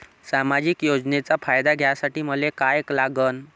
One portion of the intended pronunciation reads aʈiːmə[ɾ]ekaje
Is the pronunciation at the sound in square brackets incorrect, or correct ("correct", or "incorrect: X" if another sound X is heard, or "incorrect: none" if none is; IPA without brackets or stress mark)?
incorrect: l